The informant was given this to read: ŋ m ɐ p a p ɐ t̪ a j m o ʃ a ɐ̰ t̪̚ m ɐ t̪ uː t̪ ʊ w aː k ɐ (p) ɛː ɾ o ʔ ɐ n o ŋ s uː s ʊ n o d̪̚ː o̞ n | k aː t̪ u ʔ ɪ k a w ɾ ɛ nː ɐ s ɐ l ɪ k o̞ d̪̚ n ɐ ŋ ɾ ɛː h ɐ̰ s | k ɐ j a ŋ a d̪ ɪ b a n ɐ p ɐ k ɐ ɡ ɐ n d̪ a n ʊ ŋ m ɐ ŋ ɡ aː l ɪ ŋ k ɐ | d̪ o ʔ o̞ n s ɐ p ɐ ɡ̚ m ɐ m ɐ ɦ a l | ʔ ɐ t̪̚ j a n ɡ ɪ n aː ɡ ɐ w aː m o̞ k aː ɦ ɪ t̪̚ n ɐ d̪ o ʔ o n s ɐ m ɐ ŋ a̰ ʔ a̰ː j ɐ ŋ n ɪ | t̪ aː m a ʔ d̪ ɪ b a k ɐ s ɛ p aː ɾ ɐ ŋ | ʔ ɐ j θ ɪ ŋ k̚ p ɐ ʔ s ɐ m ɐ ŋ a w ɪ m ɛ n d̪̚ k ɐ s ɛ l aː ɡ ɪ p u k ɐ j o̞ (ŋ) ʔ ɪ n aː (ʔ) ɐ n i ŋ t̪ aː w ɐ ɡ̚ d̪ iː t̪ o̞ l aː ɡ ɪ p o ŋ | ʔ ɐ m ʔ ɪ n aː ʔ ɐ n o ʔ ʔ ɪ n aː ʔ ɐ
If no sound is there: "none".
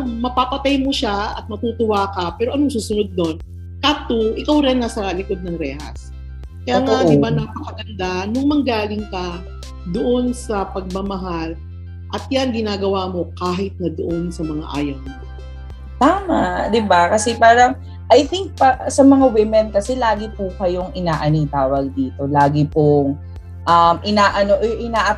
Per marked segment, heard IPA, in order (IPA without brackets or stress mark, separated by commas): p, ŋ, ʔ